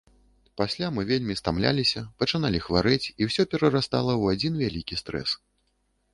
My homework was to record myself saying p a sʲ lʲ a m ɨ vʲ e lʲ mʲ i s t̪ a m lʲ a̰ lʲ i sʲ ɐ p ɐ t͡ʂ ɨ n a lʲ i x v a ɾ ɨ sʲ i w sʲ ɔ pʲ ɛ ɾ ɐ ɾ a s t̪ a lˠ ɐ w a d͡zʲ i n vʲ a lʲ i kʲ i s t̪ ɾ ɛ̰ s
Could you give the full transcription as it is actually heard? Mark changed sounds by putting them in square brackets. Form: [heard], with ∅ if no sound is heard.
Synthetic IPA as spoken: p a sʲ lʲ a m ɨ vʲ e lʲ mʲ i s t̪ a m lʲ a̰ lʲ i sʲ ɐ p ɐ t͡ʂ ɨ n a lʲ i x v a ɾ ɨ [t͡sʲ] i w sʲ ɔ pʲ ɛ ɾ ɐ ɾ a s t̪ a lˠ ɐ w a d͡zʲ i n vʲ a lʲ i kʲ i s t̪ ɾ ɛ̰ s